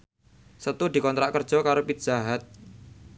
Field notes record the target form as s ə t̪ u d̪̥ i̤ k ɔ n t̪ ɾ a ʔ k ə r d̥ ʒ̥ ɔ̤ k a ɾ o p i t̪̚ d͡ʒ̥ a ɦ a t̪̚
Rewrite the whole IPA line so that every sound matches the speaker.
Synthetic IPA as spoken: s ə t̪ u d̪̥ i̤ k ɔ n t̪ ɾ a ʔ k ə r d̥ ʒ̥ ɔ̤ k a ɾ o p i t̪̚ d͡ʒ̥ a ɦ a t̪̚